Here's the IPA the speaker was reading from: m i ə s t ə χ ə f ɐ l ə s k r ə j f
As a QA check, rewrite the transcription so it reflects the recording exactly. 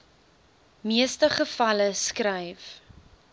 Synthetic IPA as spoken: m i ə s t ə χ ə f ɐ l ə s k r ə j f